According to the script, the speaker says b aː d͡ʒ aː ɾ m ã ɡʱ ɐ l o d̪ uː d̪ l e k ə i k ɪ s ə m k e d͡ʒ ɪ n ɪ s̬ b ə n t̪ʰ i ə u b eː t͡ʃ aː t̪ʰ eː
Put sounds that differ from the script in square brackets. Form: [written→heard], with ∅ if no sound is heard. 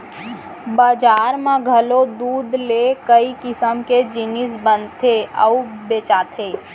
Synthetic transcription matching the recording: b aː d͡ʒ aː ɾ m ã ɡʱ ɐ l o d̪ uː d̪ l e k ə i k ɪ s ə m k e d͡ʒ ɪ n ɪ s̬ b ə n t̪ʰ [i→e] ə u b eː t͡ʃ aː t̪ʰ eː

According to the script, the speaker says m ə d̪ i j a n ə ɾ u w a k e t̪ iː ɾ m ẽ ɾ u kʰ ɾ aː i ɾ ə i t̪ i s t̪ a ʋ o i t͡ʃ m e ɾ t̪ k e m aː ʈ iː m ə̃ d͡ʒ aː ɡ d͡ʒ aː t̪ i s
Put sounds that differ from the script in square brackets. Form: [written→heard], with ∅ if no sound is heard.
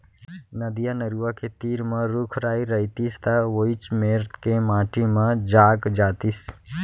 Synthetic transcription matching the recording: [m→n] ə d̪ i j a n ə ɾ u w a k e t̪ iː ɾ m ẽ ɾ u kʰ ɾ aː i ɾ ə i t̪ i s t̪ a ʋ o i t͡ʃ m e ɾ t̪ k e m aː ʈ [iː→i] m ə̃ d͡ʒ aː ɡ d͡ʒ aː t̪ i s

